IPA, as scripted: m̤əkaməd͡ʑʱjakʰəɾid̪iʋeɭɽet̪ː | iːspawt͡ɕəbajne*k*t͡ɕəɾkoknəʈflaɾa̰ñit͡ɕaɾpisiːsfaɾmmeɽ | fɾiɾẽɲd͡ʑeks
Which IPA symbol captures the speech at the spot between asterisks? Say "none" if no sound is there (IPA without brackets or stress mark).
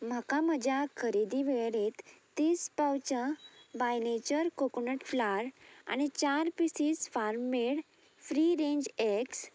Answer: none